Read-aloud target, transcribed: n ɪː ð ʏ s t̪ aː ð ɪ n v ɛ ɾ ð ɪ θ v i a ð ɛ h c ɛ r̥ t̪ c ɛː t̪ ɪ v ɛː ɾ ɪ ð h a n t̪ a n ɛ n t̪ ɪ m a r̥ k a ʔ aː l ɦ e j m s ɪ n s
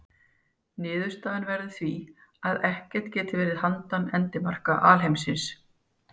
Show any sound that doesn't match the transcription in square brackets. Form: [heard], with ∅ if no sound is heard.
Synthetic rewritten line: n ɪː ð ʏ s t̪ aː ð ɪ n v ɛ ɾ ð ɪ θ v i a ð ɛ h c ɛ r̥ t̪ c ɛː t̪ ɪ v ɛː ɾ ɪ ð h a n t̪ a n ɛ n t̪ ɪ m a r̥ k a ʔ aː l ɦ e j m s ɪ n s